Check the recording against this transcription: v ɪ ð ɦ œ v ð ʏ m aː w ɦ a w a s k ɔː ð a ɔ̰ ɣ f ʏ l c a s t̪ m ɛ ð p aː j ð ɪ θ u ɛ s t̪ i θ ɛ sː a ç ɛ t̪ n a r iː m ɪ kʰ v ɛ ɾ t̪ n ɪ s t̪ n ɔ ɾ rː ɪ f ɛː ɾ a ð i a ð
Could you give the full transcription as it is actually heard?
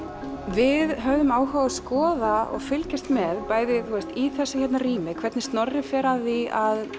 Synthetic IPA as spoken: v ɪ ð ɦ œ v ð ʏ m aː w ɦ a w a s k ɔː ð a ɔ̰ ɣ f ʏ l c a s t̪ m ɛ ð p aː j ð ɪ θ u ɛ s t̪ i θ ɛ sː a ç ɛ t̪ n a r iː m ɪ kʰ v ɛ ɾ t̪ n ɪ s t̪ n ɔ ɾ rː ɪ f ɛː ɾ a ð i a ð